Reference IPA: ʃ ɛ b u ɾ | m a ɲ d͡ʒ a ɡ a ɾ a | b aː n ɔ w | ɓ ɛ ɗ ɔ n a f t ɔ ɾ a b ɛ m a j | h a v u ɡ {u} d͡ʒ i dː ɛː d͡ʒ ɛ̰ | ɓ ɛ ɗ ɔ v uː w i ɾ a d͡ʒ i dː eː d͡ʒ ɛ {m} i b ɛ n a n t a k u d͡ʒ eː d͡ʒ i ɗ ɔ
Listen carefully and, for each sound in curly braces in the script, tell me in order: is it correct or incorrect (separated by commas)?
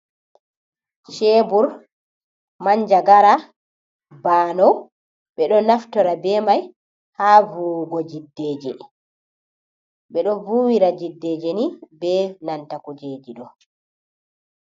incorrect, incorrect